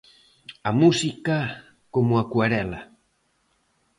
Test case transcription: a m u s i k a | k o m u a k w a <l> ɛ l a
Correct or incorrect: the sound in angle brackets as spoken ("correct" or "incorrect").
incorrect